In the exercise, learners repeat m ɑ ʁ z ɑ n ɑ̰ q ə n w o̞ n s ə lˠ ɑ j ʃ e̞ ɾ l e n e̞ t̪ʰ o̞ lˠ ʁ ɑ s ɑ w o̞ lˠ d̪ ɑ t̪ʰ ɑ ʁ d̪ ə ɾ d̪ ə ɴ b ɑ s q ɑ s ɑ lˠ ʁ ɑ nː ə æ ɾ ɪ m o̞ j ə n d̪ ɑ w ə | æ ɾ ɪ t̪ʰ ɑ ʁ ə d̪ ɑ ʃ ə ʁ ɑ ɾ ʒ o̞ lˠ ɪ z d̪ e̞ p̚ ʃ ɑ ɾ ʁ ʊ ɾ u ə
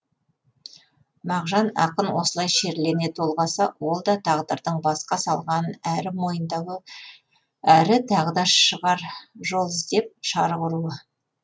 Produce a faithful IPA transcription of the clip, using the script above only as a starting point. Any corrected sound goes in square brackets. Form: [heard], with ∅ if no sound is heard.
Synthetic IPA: m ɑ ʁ [ʒ] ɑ n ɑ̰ q ə n w o̞ [∅] s ə lˠ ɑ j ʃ e̞ ɾ l e n e̞ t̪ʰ o̞ lˠ ʁ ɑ s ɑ w o̞ lˠ d̪ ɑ t̪ʰ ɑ ʁ d̪ ə ɾ d̪ ə ɴ b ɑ s q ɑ s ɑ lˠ ʁ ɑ [n] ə æ ɾ ɪ m o̞ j ə n d̪ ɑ w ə | æ ɾ ɪ t̪ʰ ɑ ʁ ə d̪ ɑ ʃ ə ʁ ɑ ɾ ʒ o̞ lˠ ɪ z d̪ e̞ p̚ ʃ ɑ ɾ ʁ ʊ ɾ u ə